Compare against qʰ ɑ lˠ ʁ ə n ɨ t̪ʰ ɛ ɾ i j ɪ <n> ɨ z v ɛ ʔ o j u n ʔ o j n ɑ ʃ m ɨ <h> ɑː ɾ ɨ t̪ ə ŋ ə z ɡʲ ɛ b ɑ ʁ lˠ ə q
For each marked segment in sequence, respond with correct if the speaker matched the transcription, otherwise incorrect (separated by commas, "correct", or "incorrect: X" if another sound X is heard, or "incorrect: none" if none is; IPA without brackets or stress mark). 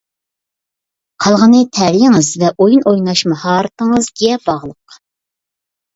incorrect: ŋ, correct